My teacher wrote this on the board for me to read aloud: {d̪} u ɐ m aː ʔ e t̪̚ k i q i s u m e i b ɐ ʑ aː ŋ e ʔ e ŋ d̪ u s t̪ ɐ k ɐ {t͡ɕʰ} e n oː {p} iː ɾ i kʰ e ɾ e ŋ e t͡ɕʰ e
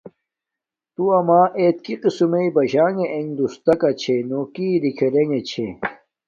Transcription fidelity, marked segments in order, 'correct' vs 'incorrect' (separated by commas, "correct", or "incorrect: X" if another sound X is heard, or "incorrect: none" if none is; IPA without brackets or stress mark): incorrect: t̪, correct, incorrect: k